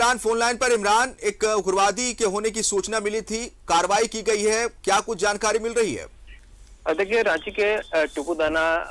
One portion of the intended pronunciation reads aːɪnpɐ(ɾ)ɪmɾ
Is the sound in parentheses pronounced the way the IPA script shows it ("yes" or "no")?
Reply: yes